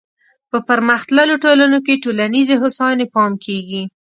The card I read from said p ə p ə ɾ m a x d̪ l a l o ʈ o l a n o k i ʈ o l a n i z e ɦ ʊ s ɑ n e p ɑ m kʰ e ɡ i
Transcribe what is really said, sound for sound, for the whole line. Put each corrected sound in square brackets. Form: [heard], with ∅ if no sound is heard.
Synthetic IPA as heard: p ə p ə ɾ m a x [t̪] l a l o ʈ o l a n o k [e] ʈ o l a n i z e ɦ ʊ s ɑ n e p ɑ m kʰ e ɡ i